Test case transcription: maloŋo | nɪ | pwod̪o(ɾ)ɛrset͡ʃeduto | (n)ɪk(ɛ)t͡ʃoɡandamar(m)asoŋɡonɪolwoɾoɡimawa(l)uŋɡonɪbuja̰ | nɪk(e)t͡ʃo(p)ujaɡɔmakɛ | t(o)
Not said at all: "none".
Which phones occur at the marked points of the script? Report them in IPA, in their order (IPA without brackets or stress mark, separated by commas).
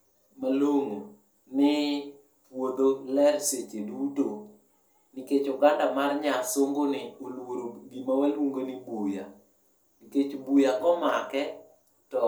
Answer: l, n, e, ɲ, l, e, b, ɔ